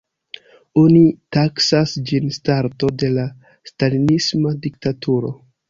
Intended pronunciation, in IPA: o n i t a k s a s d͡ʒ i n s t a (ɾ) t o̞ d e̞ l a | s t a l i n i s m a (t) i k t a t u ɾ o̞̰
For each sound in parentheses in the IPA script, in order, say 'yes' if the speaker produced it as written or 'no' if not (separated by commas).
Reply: yes, no